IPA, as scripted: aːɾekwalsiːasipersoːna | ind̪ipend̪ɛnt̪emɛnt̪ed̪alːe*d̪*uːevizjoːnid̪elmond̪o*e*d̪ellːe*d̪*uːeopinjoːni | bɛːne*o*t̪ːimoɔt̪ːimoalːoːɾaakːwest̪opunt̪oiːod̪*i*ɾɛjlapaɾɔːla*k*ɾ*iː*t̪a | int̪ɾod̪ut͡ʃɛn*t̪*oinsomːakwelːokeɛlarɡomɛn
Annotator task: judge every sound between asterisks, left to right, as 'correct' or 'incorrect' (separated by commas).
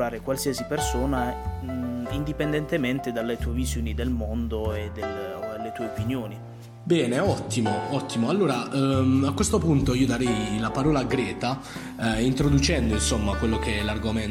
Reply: incorrect, correct, incorrect, incorrect, incorrect, incorrect, incorrect, incorrect